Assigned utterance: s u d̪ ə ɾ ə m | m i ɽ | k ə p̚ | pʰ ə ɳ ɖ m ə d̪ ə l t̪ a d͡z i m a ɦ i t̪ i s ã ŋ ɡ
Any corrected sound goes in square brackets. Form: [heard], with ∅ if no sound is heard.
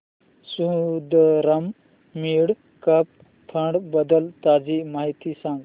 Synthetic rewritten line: s u d̪ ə ɾ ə m | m i ɽ | k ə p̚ | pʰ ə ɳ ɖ [b] ə d̪ ə l t̪ a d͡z i m a ɦ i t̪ i s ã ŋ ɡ